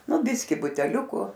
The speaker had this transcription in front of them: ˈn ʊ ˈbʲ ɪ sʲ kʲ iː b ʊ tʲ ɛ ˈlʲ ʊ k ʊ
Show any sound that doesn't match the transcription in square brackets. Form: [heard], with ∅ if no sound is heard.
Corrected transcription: ˈn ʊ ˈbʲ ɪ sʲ kʲ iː b ʊ tʲ ɛ ˈlʲ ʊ k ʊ

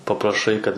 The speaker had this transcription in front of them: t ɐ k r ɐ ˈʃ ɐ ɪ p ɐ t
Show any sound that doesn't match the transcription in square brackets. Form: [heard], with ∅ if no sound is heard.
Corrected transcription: [p] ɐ [p] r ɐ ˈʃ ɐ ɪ [k] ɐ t

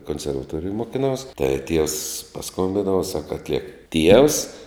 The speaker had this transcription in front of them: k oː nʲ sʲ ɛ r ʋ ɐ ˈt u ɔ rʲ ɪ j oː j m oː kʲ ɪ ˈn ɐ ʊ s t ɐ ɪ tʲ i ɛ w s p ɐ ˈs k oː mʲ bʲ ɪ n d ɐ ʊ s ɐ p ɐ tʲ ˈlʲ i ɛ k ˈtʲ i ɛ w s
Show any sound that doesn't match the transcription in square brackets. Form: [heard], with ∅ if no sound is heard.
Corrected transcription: k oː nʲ sʲ ɛ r ʋ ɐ ˈt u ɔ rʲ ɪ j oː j m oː kʲ ɪ ˈn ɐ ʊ s t ɐ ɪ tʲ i ɛ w s p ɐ ˈs k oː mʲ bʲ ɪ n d ɐ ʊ s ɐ [k] ɐ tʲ ˈlʲ i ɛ k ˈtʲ i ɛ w s

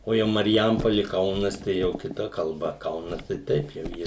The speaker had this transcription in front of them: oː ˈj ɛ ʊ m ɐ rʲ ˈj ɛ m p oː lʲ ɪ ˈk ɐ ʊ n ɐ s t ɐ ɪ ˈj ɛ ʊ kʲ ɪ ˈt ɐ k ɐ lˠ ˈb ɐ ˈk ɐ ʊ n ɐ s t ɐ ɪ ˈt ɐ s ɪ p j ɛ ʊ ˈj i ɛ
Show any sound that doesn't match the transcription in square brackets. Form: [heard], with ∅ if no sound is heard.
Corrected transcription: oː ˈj ɛ ʊ m ɐ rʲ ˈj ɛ m p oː lʲ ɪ ˈk ɐ ʊ n ɐ s t ɐ ɪ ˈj ɛ ʊ kʲ ɪ ˈt ɐ k ɐ lˠ ˈb ɐ ˈk ɐ ʊ n ɐ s t ɐ ɪ ˈt ɐ [∅] ɪ p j ɛ ʊ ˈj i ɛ

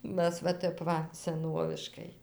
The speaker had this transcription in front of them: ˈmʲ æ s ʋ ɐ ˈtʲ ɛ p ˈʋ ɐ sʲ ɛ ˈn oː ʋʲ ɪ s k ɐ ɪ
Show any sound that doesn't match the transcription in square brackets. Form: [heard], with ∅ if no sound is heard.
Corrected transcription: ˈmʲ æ s ʋ ɐ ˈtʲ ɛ p ˈʋ ɐ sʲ ɛ ˈn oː ʋʲ ɪ [ʃ] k ɐ ɪ

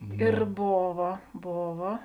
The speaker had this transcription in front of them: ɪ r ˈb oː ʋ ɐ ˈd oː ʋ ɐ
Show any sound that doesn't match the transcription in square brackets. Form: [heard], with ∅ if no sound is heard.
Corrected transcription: ɪ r ˈb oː ʋ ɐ [ˈb] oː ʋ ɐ

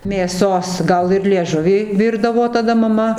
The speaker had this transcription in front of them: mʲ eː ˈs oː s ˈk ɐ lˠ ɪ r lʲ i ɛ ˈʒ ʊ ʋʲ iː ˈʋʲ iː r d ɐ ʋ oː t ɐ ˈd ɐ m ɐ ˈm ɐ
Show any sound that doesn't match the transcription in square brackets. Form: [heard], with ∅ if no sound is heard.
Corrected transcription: mʲ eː ˈs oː s [ˈɡ] ɐ lˠ ɪ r lʲ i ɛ ˈʒ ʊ ʋʲ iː ˈʋʲ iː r d ɐ ʋ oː t ɐ ˈd ɐ m ɐ ˈm ɐ

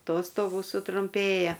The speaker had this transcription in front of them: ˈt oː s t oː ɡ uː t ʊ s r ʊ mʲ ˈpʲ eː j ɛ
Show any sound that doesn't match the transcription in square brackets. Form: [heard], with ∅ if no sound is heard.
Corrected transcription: ˈt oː s t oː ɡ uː [s] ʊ [t] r ʊ mʲ ˈpʲ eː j ɛ

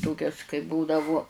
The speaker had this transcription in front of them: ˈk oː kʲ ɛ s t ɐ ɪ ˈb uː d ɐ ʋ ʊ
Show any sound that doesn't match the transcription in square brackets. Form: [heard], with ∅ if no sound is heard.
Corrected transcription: [ˈt] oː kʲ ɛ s [k] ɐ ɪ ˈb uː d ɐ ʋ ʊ

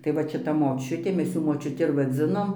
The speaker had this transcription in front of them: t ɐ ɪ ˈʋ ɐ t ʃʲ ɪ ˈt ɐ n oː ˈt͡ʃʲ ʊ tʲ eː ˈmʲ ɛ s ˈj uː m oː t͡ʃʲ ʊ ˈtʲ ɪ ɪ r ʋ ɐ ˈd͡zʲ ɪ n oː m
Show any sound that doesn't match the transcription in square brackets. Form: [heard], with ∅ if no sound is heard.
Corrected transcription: t ɐ ɪ ˈʋ ɐ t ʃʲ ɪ ˈt ɐ [m] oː ˈt͡ʃʲ ʊ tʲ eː ˈmʲ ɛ s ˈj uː m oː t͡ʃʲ ʊ ˈtʲ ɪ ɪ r ʋ ɐ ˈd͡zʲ ɪ n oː m

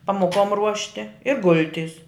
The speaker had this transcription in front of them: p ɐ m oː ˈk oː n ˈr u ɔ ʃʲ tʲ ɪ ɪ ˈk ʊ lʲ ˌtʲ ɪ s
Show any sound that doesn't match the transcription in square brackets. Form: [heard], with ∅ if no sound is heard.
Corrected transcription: p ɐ m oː ˈk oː [m] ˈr u ɔ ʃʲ tʲ ɪ ɪ [ˈɡ] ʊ lʲ ˌtʲ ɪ s

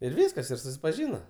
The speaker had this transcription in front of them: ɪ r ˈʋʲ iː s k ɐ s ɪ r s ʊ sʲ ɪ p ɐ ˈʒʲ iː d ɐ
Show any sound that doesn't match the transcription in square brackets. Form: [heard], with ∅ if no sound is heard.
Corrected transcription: ɪ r ˈʋʲ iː s k ɐ s ɪ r s ʊ sʲ ɪ p ɐ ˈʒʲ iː [n] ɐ

